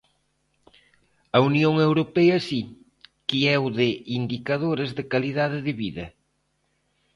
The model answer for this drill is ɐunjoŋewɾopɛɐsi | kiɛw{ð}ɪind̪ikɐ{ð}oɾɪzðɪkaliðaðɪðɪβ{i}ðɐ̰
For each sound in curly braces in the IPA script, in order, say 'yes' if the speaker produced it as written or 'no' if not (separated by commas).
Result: yes, yes, yes